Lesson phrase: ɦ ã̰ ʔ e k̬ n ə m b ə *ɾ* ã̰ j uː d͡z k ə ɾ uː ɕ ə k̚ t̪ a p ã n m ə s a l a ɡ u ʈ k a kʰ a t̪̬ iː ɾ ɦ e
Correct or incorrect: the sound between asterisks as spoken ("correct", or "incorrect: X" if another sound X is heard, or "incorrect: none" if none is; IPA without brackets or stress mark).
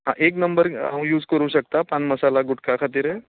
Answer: correct